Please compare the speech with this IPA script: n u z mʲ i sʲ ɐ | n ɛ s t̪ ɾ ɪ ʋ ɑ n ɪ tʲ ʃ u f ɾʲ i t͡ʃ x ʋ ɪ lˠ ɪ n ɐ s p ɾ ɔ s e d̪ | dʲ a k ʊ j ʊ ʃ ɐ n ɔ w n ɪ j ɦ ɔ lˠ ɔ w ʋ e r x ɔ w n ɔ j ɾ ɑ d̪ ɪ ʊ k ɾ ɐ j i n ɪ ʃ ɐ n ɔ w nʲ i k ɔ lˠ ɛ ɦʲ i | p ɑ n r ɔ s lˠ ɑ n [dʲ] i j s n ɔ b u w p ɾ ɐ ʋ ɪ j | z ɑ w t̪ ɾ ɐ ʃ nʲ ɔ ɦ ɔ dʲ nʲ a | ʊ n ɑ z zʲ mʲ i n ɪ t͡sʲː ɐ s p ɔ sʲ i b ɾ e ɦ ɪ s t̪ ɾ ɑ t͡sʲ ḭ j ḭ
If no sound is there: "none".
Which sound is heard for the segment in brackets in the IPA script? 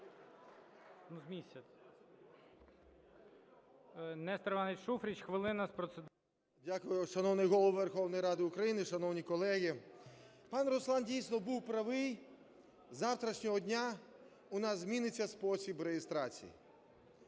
dʲ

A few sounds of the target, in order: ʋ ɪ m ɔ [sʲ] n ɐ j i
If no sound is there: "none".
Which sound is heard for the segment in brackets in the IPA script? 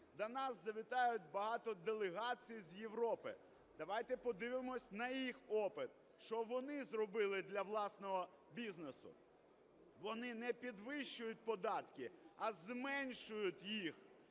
sʲ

